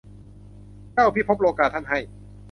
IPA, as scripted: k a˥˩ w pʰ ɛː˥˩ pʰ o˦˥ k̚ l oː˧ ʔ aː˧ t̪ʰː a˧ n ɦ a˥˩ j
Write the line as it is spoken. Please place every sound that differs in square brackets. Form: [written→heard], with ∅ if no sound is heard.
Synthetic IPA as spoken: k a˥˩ w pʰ [ɛː˥˩→iː˥˩] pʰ o˦˥ [k̚→p̚] l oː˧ [ʔ→k] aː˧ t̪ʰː [a˧→a˥˩] n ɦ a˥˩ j